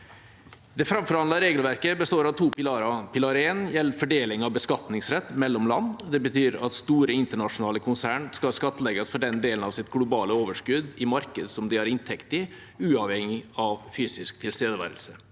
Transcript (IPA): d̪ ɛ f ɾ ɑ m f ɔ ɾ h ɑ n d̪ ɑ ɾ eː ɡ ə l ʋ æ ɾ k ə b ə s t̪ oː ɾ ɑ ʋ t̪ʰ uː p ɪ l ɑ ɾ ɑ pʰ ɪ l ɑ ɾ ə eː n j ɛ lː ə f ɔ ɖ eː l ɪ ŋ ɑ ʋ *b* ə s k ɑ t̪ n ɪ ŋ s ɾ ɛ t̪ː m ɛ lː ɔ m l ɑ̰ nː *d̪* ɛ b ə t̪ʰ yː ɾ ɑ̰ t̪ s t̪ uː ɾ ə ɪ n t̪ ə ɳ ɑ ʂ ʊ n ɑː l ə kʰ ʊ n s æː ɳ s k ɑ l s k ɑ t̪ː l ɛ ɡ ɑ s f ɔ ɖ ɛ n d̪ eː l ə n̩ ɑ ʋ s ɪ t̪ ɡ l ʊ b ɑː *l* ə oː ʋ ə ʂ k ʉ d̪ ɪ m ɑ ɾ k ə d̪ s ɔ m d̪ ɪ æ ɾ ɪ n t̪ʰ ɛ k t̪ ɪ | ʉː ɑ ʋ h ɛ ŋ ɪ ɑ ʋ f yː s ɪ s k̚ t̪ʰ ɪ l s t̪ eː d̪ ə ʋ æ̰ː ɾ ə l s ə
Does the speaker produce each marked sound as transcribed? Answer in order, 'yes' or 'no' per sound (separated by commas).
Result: yes, yes, yes